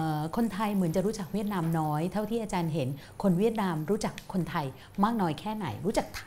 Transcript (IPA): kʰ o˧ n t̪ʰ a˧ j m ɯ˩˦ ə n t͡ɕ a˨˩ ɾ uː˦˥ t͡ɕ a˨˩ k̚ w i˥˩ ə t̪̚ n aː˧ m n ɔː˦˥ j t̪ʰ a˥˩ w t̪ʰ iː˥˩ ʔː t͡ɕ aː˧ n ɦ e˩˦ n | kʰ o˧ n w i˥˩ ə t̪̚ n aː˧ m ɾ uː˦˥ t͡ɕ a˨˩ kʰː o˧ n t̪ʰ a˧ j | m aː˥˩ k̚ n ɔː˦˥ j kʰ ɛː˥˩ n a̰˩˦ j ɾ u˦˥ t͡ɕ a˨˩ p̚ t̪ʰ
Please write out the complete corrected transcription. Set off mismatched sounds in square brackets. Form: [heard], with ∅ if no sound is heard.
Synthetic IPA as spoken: kʰ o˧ n t̪ʰ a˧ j m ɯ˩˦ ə n t͡ɕ a˨˩ ɾ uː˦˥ t͡ɕ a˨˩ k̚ w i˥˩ ə t̪̚ n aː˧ m n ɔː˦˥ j t̪ʰ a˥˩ w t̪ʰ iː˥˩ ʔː t͡ɕ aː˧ n ɦ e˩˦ n | kʰ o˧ n w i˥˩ ə t̪̚ n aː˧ m ɾ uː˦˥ t͡ɕ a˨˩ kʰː o˧ n t̪ʰ a˧ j | m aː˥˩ k̚ n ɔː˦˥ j kʰ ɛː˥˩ n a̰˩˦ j ɾ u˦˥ t͡ɕ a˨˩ [k̚] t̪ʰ